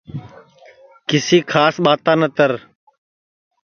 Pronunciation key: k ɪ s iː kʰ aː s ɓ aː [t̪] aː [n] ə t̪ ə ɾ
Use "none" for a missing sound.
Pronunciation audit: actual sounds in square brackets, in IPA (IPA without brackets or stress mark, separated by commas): t̪, n